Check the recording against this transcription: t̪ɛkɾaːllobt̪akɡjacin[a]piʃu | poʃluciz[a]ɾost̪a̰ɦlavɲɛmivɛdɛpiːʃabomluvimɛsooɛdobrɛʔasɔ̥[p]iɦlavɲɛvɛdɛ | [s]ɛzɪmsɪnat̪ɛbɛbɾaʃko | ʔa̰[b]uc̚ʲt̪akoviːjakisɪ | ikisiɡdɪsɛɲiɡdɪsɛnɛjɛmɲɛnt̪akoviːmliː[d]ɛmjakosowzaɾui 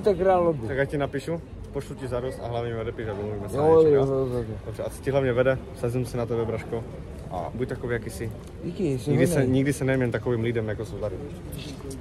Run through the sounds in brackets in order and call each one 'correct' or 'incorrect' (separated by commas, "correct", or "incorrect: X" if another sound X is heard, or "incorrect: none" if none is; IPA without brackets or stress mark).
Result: correct, correct, incorrect: c, correct, correct, correct